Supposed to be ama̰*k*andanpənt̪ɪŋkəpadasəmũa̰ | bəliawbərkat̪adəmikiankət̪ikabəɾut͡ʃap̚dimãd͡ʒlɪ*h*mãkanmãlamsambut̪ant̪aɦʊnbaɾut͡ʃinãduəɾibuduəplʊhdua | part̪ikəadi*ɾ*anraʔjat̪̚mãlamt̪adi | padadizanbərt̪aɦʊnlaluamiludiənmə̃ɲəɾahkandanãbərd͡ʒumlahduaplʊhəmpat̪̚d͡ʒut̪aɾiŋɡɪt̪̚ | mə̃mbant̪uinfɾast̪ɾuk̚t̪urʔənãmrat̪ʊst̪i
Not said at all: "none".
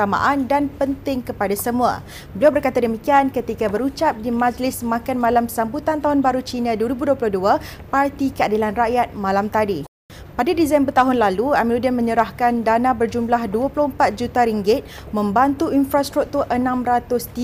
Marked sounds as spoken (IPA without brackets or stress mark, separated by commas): ʔ, s, l